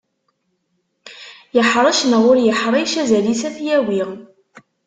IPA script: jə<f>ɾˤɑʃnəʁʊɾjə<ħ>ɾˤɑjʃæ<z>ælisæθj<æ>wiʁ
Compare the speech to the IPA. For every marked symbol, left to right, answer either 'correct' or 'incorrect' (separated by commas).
incorrect, correct, correct, correct